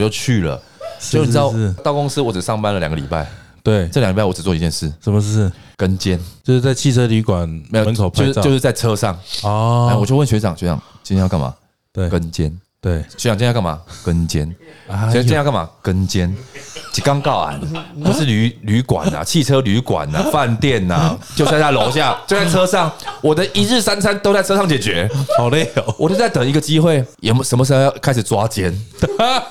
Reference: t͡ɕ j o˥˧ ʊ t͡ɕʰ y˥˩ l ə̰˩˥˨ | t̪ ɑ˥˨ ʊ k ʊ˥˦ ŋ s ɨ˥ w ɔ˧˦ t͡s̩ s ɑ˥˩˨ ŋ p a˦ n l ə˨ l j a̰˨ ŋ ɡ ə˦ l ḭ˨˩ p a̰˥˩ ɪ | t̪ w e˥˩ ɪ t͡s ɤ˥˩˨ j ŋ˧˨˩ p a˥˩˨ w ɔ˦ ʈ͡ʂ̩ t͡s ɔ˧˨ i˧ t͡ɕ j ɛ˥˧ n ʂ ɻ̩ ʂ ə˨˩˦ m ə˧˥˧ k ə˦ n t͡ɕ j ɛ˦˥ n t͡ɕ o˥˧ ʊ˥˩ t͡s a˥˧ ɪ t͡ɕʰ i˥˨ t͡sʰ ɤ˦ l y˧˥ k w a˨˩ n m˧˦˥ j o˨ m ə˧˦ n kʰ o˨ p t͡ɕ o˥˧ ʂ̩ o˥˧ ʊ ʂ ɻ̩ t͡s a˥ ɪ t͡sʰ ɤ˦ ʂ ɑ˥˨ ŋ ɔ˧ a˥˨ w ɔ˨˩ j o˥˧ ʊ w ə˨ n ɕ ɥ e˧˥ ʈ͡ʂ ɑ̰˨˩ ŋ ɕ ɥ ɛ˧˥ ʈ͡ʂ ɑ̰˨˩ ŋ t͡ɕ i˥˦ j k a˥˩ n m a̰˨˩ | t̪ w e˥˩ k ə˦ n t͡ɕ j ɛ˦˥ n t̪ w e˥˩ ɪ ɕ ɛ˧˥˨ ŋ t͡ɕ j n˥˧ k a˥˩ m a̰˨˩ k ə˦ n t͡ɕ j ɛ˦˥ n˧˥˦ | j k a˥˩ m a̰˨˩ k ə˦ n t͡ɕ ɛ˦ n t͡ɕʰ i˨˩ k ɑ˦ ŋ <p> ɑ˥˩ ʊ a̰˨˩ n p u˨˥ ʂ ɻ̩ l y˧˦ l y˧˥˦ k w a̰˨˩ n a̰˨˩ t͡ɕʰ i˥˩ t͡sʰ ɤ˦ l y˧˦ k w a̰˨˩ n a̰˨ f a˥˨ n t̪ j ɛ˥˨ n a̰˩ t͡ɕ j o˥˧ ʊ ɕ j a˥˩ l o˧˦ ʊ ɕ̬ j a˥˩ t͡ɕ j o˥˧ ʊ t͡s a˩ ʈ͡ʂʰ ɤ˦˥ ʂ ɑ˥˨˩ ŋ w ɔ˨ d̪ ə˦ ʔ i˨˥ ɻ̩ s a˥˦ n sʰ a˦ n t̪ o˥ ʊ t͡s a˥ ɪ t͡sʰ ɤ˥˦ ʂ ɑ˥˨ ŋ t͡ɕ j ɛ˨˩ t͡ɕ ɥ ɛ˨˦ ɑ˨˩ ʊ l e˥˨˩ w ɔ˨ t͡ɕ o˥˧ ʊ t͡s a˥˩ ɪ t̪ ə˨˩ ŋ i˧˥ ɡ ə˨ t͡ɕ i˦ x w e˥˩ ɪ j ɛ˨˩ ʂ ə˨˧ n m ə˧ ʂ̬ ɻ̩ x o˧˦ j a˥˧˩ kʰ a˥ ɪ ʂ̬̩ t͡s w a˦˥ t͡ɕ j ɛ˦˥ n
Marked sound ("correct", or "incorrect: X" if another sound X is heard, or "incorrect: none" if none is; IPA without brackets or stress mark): incorrect: k